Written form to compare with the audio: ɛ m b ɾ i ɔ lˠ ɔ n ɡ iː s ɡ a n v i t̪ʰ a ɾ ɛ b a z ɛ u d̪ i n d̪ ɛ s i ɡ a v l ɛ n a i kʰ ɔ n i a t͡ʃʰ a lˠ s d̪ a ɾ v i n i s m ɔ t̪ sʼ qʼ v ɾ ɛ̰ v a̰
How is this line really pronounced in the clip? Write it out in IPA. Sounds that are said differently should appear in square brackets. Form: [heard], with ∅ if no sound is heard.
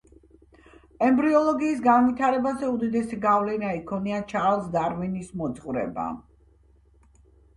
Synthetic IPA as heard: ɛ m b ɾ i ɔ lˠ ɔ [∅] ɡ iː s ɡ a n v i t̪ʰ a ɾ ɛ b a z ɛ u d̪ i [∅] d̪ ɛ s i ɡ a v l ɛ n a i kʰ ɔ n i a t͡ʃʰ a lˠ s d̪ a ɾ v i n i s m ɔ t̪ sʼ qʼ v ɾ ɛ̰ [b] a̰